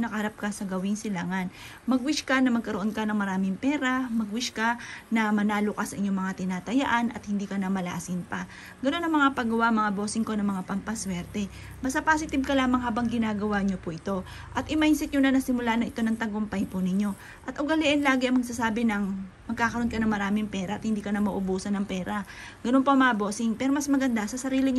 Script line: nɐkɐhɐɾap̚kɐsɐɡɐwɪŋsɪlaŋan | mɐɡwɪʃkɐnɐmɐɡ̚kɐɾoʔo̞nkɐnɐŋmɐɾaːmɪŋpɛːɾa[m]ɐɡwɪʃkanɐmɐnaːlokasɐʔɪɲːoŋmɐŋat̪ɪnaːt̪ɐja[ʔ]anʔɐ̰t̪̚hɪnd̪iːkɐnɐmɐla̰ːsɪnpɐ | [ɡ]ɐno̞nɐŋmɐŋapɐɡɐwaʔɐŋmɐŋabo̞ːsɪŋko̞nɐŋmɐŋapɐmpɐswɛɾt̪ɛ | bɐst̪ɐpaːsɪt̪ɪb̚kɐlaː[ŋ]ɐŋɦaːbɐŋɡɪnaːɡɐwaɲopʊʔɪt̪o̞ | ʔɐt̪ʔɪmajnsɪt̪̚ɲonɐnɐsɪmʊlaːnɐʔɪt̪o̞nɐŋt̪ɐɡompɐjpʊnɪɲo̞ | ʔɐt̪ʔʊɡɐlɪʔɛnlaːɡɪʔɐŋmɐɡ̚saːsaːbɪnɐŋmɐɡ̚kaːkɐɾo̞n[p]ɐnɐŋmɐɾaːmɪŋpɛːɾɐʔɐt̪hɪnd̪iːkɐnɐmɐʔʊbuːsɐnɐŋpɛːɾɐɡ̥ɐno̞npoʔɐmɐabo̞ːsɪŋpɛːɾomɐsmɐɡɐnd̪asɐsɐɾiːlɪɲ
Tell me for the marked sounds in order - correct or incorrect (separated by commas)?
correct, correct, correct, incorrect, incorrect